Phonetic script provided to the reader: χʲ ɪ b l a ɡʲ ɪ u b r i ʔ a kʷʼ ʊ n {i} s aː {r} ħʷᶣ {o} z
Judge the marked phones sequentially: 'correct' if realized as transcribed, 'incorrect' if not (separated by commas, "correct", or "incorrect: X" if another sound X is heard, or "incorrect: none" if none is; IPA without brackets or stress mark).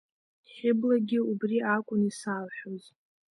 correct, incorrect: l, correct